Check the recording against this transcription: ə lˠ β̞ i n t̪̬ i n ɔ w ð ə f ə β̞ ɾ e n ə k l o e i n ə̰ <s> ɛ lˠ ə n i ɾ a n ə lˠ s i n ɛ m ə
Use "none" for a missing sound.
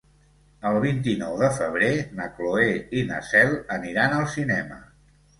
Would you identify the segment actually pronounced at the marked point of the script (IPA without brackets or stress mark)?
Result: s